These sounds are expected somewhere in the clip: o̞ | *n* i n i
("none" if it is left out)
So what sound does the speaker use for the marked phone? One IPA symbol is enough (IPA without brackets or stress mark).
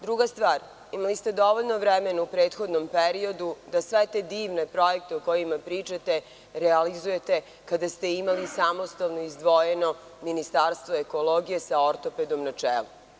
m